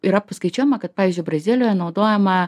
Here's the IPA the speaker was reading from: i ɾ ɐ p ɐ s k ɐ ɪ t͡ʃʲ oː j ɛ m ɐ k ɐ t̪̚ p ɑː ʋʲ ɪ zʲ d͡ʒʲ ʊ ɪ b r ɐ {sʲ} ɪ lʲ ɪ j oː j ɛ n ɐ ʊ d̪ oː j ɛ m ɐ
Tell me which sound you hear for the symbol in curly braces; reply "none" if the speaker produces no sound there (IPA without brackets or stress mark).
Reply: zʲ